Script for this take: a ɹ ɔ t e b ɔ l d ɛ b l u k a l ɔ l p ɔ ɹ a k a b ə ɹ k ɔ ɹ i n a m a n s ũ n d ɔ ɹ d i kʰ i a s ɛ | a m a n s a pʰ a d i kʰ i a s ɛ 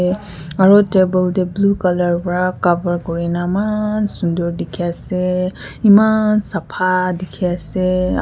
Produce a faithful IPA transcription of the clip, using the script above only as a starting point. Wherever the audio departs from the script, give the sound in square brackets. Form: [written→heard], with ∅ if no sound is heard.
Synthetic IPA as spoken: a ɹ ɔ t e b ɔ l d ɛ b l u k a l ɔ [l→ɹ] p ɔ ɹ a k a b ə ɹ k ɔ ɹ i n a m a n s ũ n d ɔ ɹ d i kʰ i a s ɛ | [a→i] m a n s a pʰ a d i kʰ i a s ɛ